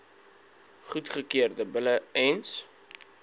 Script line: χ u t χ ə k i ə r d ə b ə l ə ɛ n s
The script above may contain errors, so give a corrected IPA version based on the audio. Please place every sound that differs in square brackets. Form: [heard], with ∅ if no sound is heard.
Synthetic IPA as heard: χ u t χ ə k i ə r d ə b ə l ə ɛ n s